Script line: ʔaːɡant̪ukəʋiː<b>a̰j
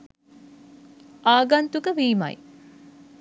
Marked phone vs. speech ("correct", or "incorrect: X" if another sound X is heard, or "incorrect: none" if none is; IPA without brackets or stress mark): incorrect: m